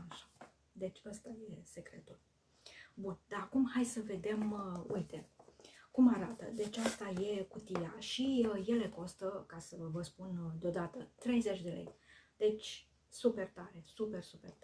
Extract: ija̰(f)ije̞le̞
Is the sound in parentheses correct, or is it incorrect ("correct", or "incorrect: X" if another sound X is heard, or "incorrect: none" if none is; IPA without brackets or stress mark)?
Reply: incorrect: ʃ